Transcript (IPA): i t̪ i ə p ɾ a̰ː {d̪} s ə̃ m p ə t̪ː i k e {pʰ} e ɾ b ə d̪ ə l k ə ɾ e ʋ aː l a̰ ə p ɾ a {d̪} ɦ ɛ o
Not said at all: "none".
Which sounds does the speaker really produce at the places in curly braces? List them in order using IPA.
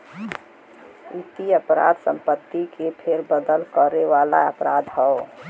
d̪, pʰ, d̪

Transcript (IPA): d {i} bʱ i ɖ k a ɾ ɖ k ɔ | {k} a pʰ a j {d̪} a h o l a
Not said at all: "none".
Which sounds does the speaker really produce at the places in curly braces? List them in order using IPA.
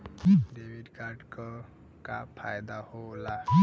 e, k, d̪

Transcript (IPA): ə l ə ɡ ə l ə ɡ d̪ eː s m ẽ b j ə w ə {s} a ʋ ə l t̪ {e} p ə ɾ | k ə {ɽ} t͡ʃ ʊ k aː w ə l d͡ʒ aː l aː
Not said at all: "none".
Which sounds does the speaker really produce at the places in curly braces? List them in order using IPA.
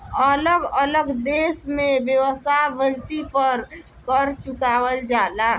s, i, ɾ

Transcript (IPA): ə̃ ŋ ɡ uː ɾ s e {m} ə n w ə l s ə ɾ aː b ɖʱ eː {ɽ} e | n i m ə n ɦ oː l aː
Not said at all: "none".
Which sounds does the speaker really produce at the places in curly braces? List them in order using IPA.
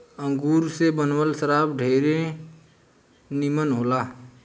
b, ɾ

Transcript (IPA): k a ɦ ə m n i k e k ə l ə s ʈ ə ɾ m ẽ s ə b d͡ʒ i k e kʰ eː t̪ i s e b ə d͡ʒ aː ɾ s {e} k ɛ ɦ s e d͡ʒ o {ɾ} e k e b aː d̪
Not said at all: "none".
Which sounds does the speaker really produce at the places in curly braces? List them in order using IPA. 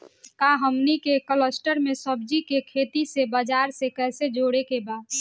e, ɽ

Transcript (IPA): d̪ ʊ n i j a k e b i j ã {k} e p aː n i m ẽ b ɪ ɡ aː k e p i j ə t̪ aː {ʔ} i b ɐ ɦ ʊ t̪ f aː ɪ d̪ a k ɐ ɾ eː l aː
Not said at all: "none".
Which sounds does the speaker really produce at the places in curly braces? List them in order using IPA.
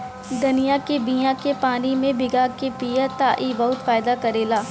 k, ʔ

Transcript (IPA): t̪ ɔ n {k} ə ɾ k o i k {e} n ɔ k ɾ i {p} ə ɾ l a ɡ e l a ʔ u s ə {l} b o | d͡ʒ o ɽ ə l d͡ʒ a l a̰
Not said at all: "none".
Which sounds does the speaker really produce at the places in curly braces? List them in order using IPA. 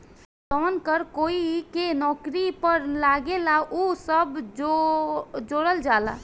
k, e, p, none

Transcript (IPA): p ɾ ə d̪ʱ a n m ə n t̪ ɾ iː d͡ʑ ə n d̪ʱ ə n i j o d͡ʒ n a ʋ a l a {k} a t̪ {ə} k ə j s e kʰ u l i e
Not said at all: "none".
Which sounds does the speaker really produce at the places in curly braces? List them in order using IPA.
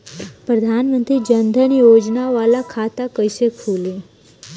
kʰ, a

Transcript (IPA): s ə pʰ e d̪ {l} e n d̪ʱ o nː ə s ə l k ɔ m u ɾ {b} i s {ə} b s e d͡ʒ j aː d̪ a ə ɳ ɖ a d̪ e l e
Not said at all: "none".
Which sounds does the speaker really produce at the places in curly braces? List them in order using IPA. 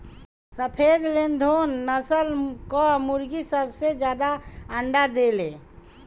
l, ɡ, ə

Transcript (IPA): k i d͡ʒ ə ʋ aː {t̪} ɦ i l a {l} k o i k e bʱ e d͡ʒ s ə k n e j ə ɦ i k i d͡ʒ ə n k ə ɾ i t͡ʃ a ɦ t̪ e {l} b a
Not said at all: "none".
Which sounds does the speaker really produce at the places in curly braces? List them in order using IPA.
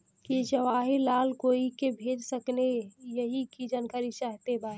none, l, none

